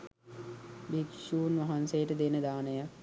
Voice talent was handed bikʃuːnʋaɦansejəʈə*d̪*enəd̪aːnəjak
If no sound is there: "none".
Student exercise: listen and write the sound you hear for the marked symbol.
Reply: d̪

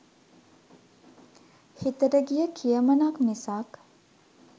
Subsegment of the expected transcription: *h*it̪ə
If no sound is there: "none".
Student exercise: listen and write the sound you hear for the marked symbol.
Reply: h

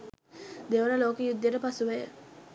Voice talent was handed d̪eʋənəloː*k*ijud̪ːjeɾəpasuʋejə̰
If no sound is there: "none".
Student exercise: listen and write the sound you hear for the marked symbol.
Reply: k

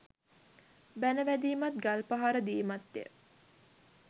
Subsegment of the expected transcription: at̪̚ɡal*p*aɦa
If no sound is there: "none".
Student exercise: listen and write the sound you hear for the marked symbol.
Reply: p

